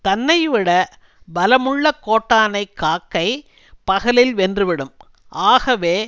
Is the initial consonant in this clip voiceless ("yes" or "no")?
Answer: yes